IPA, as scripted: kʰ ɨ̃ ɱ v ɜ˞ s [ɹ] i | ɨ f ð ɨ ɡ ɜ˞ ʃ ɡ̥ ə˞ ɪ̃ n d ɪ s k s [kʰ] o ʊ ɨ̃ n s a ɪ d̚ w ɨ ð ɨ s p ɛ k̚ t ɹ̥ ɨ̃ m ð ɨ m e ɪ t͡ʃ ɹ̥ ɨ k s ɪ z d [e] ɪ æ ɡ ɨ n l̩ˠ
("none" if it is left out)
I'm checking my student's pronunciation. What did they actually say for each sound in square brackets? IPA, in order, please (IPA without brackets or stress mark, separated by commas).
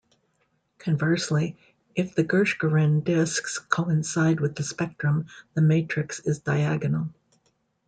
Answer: l, kʰ, a